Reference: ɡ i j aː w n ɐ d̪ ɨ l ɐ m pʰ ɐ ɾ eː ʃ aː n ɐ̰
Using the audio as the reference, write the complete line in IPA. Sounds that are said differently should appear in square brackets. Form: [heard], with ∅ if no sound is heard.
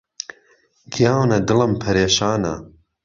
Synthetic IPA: ɡ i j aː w n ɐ d̪ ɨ l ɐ m pʰ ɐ ɾ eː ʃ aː n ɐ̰